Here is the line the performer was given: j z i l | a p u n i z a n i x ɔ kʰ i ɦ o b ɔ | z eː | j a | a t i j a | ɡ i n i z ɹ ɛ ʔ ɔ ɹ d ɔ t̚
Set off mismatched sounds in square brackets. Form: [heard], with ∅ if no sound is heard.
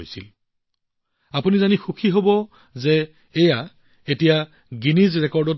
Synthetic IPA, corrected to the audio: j [s] i l | a p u n i z a n i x [u] kʰ i ɦ o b ɔ | z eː | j a | [e] t i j a | ɡ i n i z ɹ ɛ [k] ɔ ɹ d ɔ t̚